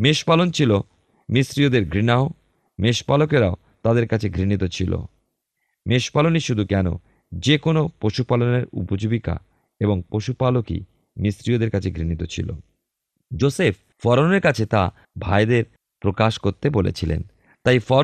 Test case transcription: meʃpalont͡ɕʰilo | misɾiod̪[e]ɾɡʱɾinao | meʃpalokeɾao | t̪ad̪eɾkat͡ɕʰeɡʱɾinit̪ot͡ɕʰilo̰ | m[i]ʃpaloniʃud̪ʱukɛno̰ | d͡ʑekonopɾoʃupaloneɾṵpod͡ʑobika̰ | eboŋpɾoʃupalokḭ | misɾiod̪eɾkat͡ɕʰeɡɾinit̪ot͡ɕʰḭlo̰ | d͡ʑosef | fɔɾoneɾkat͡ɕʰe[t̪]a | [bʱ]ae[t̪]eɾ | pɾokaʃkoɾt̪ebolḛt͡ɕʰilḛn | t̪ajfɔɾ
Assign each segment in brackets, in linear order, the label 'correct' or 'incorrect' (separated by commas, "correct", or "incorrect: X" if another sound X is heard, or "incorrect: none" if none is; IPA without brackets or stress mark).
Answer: correct, incorrect: e, correct, correct, incorrect: d̪